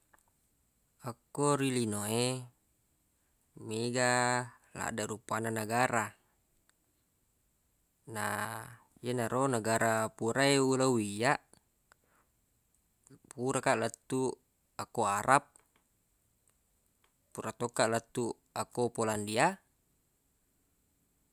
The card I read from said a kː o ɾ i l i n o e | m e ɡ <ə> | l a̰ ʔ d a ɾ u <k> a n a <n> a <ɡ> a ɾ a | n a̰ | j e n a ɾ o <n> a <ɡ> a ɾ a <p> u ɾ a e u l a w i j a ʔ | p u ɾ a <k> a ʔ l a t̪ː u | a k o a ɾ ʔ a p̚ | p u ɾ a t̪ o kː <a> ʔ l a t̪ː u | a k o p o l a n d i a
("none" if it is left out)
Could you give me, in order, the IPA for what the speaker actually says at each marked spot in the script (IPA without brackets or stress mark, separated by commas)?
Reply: a, p, n, ɡ, n, ɡ, p, k, a